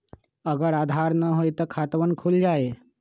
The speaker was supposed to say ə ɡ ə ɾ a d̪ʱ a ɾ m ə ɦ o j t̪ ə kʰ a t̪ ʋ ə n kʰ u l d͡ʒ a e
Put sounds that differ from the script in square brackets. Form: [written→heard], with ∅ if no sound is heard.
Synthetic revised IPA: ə ɡ ə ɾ a d̪ʱ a ɾ [m→n] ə ɦ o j t̪ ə kʰ a t̪ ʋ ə n kʰ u l d͡ʒ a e